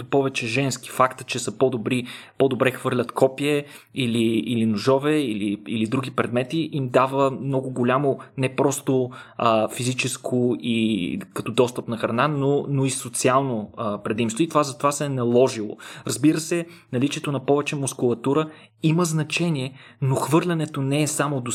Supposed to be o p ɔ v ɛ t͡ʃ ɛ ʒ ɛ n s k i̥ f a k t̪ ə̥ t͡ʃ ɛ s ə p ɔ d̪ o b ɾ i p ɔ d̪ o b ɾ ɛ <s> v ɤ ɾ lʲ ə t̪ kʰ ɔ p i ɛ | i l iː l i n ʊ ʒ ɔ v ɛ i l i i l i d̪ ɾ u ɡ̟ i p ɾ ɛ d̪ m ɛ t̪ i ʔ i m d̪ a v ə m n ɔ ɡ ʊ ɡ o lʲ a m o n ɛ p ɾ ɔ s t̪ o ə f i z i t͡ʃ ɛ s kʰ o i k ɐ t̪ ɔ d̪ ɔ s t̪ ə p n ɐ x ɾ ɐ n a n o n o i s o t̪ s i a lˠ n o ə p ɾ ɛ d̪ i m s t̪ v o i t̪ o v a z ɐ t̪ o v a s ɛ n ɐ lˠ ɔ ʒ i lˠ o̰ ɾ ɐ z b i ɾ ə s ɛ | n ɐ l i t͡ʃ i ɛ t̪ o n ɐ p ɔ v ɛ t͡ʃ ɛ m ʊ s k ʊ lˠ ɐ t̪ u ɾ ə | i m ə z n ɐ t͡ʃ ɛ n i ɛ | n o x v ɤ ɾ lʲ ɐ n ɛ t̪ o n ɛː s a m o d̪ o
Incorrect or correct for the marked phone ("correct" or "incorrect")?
incorrect